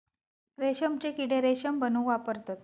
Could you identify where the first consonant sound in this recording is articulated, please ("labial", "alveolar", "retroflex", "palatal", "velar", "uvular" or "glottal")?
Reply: alveolar